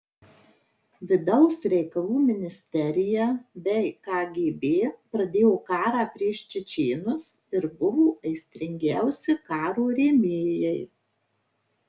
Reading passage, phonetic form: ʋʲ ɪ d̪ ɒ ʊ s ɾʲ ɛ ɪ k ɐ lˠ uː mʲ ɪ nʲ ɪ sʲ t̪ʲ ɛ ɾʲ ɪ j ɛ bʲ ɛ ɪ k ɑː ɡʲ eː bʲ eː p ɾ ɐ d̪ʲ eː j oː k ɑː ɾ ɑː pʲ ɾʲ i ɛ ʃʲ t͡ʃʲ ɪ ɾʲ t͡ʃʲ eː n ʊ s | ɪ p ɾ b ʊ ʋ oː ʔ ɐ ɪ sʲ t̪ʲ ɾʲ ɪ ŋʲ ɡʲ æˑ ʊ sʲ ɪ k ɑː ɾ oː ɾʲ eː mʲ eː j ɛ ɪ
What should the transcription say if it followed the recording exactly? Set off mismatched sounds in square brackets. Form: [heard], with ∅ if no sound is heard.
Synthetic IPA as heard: ʋʲ ɪ d̪ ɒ ʊ s ɾʲ ɛ ɪ k ɐ lˠ uː mʲ ɪ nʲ ɪ sʲ t̪ʲ ɛ ɾʲ ɪ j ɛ bʲ ɛ ɪ k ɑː ɡʲ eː bʲ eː p ɾ ɐ d̪ʲ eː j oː k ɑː ɾ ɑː pʲ ɾʲ i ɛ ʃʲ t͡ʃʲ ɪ [∅] t͡ʃʲ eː n ʊ s | ɪ [∅] ɾ b ʊ ʋ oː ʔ ɐ ɪ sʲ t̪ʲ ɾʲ ɪ ŋʲ ɡʲ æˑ ʊ sʲ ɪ k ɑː ɾ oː ɾʲ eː mʲ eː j ɛ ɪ